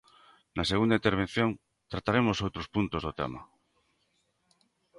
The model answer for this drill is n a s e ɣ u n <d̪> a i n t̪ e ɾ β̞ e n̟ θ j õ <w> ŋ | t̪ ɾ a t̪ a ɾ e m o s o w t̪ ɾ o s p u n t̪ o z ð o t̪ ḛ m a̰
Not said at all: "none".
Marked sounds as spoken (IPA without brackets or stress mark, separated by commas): d̪, none